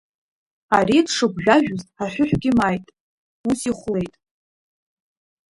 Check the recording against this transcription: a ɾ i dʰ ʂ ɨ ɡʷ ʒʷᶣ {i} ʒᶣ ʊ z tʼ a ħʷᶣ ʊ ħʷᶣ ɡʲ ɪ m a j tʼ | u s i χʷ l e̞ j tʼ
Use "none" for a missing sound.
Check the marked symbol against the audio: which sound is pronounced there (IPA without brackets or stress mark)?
a